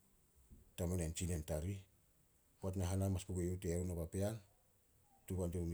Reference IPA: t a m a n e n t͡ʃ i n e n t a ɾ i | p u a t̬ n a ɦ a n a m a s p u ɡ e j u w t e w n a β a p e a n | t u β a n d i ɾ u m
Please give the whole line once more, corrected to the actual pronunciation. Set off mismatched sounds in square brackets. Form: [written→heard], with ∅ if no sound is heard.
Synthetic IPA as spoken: t a m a n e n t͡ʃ i n e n t a ɾ i | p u a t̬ n a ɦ a n a m a s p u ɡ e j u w t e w n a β a p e a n | t u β a n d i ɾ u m